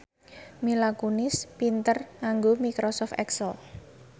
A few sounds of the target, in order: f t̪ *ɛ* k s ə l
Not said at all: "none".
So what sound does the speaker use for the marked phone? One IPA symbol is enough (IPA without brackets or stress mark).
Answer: ɛ